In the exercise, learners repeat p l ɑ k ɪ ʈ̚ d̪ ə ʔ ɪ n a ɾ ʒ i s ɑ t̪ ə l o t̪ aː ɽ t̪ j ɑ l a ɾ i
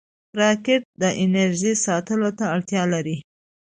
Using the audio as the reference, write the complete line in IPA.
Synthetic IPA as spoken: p ɾ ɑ k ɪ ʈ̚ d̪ ə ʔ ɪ n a ɾ ʒ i s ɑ t̪ ə l o t̪ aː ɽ t̪ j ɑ l a ɾ i